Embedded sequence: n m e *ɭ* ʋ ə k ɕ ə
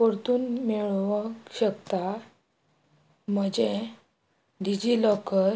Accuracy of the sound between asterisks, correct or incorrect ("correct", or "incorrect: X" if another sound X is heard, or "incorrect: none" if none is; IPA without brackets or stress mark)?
correct